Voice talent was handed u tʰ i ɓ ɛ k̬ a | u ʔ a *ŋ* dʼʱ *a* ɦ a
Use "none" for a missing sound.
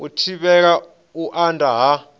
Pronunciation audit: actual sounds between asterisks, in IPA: n, a

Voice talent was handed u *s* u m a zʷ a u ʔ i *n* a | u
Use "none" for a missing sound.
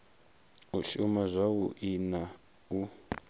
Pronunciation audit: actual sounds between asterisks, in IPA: ʃ, n

